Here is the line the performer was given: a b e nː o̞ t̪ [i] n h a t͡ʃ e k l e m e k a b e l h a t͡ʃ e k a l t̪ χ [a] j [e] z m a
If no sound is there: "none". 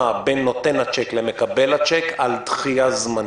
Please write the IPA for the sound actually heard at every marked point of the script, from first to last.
e, i, a

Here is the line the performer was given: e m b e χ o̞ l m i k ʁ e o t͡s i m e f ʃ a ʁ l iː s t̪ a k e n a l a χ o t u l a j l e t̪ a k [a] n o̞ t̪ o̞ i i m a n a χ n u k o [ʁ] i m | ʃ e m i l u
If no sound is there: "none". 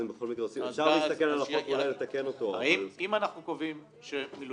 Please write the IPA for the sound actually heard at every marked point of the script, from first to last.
e, v

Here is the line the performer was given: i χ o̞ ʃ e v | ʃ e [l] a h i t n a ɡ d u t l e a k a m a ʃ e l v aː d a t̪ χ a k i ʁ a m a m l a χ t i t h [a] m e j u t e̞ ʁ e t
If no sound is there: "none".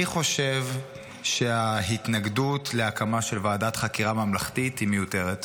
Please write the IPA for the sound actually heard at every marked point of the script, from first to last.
none, i

